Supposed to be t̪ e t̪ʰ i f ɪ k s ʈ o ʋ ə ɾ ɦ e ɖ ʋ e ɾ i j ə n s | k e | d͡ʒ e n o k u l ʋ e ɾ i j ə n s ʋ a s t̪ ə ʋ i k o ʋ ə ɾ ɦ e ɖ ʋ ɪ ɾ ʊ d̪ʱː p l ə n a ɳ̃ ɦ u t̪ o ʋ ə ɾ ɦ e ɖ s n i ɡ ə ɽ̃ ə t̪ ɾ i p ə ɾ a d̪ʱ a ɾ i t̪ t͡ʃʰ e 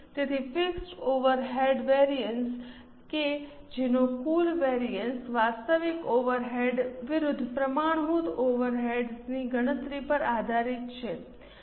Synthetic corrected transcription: t̪ e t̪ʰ i f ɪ k s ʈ o ʋ ə ɾ ɦ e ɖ ʋ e ɾ i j ə n s | k e | d͡ʒ e n o k u l ʋ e ɾ i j ə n s ʋ a s t̪ ə ʋ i k o ʋ ə ɾ ɦ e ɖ ʋ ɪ ɾ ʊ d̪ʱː p ɾ ə m a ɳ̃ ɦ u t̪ o ʋ ə ɾ ɦ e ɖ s n i ɡ ə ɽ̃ ə t̪ ɾ i p ə ɾ a d̪ʱ a ɾ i t̪ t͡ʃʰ e

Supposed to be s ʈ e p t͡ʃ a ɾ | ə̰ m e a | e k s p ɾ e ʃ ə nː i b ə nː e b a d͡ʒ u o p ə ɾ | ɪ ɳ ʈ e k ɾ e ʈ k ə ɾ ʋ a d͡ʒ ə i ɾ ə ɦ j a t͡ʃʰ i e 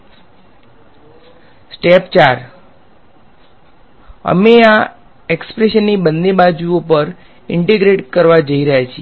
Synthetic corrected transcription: s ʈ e p t͡ʃ a ɾ | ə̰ m e a | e k s p ɾ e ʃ ə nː i b ə nː e b a d͡ʒ u o p ə ɾ | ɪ ɳ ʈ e ɡ ɾ e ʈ k ə ɾ ʋ a d͡ʒ ə i ɾ ə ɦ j a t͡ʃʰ i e

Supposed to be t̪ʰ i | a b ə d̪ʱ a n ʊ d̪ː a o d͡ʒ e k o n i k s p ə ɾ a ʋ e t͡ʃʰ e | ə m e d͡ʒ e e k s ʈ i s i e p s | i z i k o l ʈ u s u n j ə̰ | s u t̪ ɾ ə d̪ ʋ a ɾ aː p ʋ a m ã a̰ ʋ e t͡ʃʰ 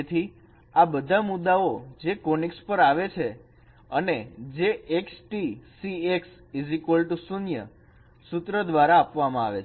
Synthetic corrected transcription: t̪ʰ i | a b ə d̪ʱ a m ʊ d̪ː a o d͡ʒ e k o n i k s p ə ɾ a ʋ e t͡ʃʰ e | ə n e d͡ʒ e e k s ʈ i s i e k s | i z i k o l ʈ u s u n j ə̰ | s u t̪ ɾ ə d̪ ʋ a ɾ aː p ʋ a m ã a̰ ʋ e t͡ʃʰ

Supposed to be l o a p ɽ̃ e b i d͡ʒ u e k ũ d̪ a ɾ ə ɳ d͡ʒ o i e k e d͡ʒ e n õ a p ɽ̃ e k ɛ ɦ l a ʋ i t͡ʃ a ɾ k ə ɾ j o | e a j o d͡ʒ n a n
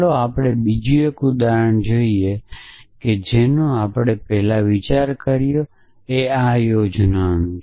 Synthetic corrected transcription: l o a p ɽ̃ e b i d͡ʒ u e k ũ d̪ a ɾ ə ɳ d͡ʒ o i e k e d͡ʒ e n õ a p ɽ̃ e p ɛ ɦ l a ʋ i t͡ʃ a ɾ k ə ɾ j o | e a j o d͡ʒ n a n

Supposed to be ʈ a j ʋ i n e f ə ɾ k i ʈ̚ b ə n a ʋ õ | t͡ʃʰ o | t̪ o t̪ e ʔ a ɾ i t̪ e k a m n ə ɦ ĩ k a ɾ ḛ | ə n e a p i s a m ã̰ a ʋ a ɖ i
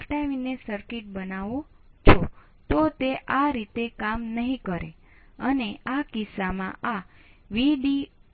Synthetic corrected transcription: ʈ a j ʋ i n e s ə ɾ k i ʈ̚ b ə n a ʋ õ | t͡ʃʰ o | t̪ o t̪ e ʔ a ɾ i t̪ e k a m n ə ɦ ĩ k ə ɾ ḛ | ə n e a k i s a m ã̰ a ʋ i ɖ i

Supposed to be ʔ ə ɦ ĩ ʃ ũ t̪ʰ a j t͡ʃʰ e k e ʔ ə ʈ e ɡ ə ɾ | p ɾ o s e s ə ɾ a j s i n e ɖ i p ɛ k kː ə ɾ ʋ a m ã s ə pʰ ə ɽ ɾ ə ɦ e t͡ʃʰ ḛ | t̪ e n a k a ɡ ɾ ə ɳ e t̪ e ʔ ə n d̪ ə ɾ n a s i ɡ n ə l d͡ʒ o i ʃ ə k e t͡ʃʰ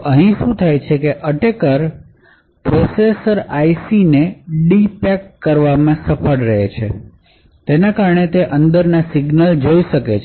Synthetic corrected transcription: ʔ ə ɦ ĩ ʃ ũ t̪ʰ a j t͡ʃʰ e k e ʔ ə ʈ e k ə ɾ | p ɾ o s e s ə ɾ a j s i n e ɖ i p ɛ k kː ə ɾ ʋ a m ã s ə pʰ ə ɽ ɾ ə ɦ e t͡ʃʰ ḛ | t̪ e n a k a ɾ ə ɳ e t̪ e ʔ ə n d̪ ə ɾ n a s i ɡ n ə l d͡ʒ o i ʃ ə k e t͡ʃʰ

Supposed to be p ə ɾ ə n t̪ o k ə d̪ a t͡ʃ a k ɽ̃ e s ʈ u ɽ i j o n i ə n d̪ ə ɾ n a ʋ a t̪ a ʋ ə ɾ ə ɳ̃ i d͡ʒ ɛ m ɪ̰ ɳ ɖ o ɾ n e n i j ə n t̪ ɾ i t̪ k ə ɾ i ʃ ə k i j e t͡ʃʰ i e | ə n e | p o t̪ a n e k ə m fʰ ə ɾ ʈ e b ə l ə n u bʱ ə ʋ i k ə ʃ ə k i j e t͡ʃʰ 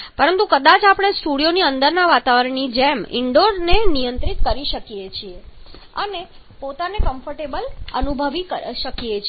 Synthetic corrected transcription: p ə ɾ ə n t̪ u k ə d̪ a t͡ʃ a p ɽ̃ e s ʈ u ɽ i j o n i ə n d̪ ə ɾ n a ʋ a t̪ a ʋ ə ɾ ə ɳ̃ i d͡ʒ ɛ m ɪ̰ ɳ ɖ o ɾ n e n i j ə n t̪ ɾ i t̪ k ə ɾ i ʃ ə k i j e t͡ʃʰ i e | ə n e | p o t̪ a n e k ə m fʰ ə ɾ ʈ e b ə l ə n u bʱ ə ʋ i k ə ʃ ə k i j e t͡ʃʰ

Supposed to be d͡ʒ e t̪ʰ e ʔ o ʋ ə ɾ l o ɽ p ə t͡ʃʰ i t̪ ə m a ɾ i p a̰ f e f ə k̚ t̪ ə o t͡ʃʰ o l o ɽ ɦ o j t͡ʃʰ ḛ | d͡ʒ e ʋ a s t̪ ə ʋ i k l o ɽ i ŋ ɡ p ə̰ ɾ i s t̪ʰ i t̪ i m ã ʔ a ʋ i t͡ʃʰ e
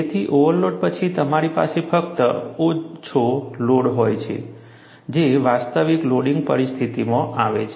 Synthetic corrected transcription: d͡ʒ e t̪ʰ i ʔ o ʋ ə ɾ l o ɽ p ə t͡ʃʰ i t̪ ə m a ɾ i p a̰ s e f ə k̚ t̪ ə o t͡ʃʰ o l o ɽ ɦ o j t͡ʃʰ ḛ | d͡ʒ e ʋ a s t̪ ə ʋ i k l o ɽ i ŋ ɡ p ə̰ ɾ i s t̪ʰ i t̪ i m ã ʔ a ʋ e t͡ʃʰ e

